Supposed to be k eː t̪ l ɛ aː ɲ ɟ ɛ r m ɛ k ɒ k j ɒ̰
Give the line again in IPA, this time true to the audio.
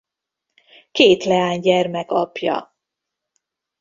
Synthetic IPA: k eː t̪ l ɛ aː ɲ ɟ ɛ r m ɛ k ɒ p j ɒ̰

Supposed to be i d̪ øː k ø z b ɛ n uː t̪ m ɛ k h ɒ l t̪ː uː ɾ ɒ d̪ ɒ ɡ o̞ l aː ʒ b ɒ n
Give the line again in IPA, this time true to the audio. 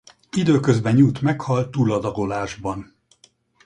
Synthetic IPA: i d̪ øː k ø z b ɛ ɲ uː t̪ m ɛ k h ɒ l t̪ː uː l ɒ d̪ ɒ ɡ o̞ l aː ʒ b ɒ n

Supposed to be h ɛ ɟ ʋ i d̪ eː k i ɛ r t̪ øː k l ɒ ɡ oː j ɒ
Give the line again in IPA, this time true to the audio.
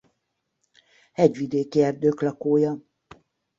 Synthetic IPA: h ɛ ɟ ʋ i d̪ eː k i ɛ r d̪ øː k l ɒ k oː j ɒ

